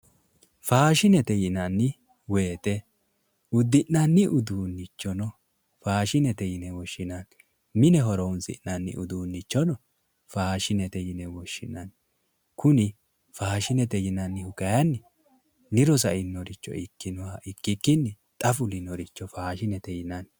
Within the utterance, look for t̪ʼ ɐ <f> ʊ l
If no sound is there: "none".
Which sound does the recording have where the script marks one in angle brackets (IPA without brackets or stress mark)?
f